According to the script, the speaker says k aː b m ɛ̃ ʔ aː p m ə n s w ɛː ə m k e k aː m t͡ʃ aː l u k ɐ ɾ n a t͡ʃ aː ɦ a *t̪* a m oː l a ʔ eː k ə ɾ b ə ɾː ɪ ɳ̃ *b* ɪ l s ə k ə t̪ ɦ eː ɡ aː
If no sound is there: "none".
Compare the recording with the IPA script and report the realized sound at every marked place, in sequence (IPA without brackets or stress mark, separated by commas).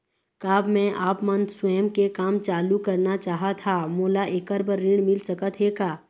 t̪ʰ, m